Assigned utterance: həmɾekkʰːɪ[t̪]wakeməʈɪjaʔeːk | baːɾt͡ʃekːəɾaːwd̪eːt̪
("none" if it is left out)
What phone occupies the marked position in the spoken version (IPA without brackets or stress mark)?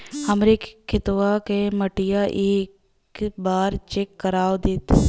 t̪